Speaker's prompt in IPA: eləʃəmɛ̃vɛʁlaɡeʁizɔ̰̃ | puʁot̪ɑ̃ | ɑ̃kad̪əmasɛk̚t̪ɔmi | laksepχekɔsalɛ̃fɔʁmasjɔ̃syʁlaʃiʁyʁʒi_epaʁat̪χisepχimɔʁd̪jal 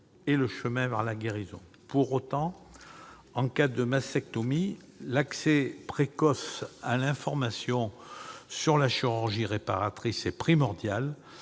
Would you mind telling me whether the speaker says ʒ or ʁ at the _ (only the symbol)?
ʁ